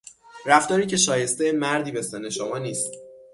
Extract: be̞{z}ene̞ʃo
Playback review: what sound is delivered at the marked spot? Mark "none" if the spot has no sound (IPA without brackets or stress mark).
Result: s